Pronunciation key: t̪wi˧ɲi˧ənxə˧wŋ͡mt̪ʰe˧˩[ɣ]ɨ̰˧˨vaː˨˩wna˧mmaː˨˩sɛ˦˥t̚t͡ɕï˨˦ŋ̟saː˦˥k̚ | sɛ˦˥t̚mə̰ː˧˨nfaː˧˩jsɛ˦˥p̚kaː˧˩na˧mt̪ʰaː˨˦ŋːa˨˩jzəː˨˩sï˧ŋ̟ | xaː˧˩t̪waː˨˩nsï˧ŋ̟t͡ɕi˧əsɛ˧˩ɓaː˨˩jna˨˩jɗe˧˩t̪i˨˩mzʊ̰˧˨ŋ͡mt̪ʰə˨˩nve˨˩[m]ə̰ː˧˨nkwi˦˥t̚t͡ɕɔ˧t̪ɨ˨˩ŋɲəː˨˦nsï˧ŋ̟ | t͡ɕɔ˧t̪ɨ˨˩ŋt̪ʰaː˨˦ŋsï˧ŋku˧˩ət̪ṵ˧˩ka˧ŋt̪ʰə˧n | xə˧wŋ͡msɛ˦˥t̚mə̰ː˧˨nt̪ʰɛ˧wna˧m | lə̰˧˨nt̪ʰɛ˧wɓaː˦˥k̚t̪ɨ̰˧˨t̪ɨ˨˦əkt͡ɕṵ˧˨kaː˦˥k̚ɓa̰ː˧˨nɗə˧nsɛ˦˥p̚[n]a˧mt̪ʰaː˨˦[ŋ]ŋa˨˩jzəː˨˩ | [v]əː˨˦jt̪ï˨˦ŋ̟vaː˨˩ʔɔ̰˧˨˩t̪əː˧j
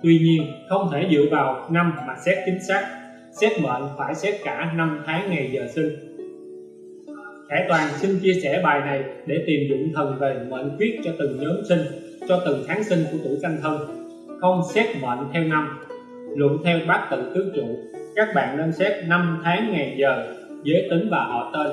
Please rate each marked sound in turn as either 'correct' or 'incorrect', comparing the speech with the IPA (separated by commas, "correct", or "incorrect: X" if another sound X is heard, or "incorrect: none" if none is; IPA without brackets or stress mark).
incorrect: z, correct, correct, correct, incorrect: z